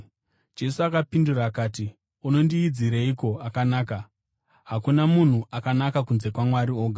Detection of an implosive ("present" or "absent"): absent